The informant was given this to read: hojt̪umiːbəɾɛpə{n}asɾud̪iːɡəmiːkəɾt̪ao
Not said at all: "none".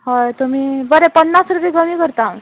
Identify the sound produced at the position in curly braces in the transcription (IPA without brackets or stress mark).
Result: nː